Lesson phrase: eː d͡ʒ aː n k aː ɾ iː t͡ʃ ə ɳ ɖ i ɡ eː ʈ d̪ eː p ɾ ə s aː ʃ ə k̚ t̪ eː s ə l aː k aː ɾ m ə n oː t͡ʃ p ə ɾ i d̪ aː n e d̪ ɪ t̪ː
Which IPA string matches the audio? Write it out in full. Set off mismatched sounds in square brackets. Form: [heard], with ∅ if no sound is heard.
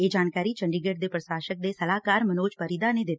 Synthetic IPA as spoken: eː d͡ʒ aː n k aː ɾ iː t͡ʃ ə ɳ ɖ i ɡ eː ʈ d̪ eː p ɾ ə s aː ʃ ə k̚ [d̪] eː s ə l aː k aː ɾ m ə n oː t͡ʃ p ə ɾ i d̪ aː n e d̪ ɪ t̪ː

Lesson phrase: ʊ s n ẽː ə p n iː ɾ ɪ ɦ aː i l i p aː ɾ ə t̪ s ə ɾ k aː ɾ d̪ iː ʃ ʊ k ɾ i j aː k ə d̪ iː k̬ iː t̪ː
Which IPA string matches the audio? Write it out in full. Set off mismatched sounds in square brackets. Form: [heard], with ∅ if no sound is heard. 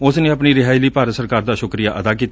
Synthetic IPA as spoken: ʊ s n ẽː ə p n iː ɾ ɪ ɦ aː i l [iː] p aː ɾ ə t̪ s ə ɾ k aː ɾ d̪ [aː] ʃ ʊ k ɾ i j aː [ʔ] ə d̪ [aː] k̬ iː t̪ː

